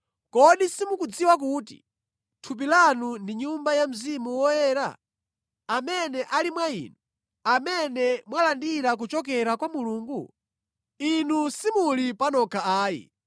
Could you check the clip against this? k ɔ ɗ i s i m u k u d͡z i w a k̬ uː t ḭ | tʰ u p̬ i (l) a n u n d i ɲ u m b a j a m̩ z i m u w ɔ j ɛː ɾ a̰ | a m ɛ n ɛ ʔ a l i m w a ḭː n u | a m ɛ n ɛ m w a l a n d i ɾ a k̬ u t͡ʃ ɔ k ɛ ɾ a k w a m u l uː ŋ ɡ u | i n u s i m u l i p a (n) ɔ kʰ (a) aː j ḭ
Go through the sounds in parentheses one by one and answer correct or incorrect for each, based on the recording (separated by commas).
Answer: correct, correct, correct